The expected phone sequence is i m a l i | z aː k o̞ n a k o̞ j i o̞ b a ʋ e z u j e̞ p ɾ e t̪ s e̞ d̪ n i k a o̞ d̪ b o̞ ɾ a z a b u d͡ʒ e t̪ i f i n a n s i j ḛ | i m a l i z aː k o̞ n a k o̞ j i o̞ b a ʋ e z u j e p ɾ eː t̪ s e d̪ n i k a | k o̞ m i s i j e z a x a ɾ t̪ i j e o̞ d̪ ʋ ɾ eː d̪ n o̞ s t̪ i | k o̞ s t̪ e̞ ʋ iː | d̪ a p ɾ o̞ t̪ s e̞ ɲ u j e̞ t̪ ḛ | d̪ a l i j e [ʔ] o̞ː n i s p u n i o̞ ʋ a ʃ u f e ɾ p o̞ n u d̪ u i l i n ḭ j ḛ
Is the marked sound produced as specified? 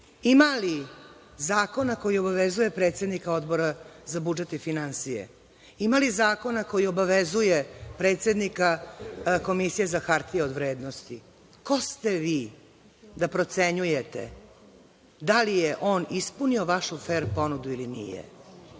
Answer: yes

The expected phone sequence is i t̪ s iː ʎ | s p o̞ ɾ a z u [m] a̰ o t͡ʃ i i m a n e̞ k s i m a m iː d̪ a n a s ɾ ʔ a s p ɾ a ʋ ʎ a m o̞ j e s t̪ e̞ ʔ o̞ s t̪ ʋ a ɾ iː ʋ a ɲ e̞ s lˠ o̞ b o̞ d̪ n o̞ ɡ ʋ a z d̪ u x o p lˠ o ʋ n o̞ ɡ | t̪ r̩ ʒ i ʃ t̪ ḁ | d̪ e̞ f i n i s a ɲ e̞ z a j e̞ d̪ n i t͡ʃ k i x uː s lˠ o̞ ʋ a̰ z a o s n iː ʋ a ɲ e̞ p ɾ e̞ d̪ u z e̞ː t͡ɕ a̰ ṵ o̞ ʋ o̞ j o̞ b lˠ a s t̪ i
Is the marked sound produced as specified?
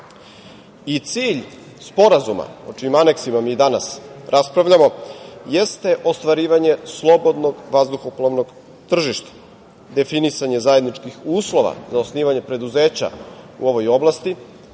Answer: yes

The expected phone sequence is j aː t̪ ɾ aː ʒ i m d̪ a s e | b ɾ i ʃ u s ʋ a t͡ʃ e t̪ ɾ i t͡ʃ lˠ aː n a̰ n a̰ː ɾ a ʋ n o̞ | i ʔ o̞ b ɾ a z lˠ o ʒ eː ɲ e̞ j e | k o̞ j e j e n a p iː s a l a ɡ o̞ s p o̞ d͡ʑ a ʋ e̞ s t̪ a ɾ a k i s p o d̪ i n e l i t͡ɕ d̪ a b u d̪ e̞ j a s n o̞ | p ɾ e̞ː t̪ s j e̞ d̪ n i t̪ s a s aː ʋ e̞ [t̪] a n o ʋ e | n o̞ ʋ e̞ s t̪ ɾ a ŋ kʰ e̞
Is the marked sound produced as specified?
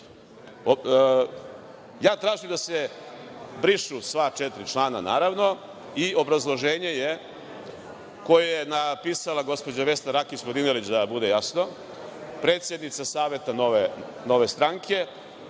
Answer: yes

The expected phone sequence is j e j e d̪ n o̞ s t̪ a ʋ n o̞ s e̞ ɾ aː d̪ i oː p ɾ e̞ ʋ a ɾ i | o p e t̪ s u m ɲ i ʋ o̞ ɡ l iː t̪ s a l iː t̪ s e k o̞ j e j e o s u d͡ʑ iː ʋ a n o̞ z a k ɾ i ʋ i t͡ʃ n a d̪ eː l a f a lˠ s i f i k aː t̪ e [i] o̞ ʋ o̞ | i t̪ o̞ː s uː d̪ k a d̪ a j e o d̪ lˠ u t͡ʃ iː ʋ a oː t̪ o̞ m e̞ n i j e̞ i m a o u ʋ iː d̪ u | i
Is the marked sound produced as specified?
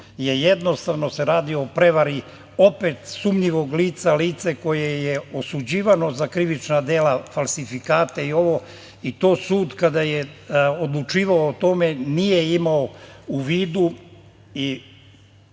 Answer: yes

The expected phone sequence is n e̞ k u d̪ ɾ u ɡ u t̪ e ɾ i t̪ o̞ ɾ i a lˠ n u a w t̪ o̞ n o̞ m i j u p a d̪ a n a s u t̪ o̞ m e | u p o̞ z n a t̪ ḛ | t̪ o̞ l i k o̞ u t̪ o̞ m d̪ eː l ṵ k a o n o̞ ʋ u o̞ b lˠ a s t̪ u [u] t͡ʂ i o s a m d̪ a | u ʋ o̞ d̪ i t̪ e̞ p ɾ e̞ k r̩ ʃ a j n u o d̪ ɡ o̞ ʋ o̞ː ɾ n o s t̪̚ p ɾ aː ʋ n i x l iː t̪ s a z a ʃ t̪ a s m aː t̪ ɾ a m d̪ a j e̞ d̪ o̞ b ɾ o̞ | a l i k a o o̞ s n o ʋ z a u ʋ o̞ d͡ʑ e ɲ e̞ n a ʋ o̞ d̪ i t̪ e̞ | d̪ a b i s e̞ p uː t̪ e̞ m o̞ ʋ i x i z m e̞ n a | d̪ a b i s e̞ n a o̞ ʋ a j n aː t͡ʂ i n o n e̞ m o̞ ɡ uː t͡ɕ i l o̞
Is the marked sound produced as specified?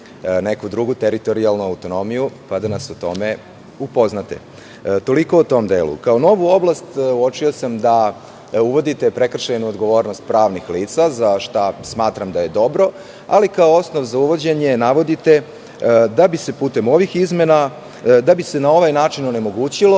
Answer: no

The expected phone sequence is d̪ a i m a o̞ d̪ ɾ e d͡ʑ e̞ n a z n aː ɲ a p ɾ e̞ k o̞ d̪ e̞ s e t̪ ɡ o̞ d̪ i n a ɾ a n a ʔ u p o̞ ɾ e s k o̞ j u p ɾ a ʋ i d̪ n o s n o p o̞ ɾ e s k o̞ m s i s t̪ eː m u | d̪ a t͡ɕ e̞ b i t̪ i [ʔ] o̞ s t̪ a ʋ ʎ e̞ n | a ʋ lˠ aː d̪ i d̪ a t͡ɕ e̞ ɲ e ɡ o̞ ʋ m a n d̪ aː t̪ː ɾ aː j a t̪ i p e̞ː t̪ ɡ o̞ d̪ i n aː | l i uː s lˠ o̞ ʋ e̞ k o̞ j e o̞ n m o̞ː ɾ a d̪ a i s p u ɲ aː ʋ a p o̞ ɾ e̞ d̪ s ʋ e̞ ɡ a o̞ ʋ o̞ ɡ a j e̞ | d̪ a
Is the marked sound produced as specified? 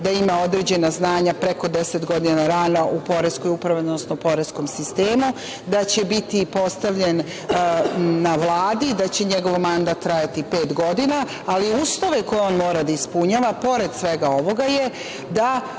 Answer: no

